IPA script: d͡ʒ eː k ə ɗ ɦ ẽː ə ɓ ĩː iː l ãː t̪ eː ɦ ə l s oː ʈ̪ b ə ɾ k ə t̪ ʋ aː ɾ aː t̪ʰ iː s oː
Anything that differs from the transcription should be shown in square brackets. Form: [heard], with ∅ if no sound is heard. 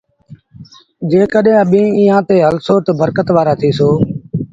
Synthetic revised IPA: d͡ʒ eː k ə ɗ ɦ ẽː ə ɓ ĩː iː [∅] ãː t̪ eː ɦ ə l s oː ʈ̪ b ə ɾ k ə t̪ ʋ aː ɾ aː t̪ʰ iː s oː